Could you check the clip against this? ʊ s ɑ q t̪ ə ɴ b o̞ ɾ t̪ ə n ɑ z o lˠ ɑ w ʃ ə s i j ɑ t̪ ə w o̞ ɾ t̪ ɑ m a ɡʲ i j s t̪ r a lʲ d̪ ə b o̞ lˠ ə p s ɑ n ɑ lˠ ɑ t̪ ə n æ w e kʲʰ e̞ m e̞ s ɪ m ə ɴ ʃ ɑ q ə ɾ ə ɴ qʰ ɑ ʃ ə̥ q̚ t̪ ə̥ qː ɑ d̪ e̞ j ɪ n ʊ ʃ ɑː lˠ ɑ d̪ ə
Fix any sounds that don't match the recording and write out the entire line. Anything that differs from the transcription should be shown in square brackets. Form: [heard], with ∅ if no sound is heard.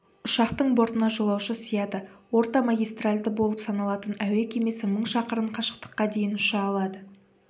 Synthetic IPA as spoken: ʊ [ʃ] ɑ q t̪ ə ɴ b o̞ ɾ t̪ ə n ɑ [ʒ] o lˠ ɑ w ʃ ə s i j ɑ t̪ ə w o̞ ɾ t̪ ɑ m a ɡʲ i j s t̪ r a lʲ d̪ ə b o̞ lˠ ə p s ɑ n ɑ lˠ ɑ t̪ ə n æ w e kʲʰ e̞ m e̞ s ɪ m ə ɴ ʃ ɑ q ə ɾ ə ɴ qʰ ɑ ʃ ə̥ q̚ t̪ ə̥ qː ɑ d̪ e̞ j ɪ n ʊ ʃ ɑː lˠ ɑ d̪ ə